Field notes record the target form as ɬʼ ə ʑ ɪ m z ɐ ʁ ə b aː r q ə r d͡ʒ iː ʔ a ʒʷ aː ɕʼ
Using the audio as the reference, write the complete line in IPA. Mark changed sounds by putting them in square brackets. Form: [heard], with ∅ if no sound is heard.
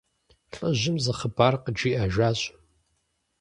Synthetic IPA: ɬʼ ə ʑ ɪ m z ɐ [χ] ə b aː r q ə [∅] d͡ʒ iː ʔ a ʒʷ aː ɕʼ